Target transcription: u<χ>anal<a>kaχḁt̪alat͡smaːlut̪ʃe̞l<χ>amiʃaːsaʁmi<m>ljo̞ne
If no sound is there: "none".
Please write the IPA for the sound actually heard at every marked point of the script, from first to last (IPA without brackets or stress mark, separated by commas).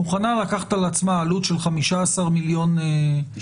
χ, a, χ, none